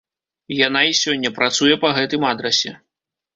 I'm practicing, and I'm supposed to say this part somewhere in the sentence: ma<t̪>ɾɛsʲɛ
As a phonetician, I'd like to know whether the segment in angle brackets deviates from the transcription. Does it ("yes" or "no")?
yes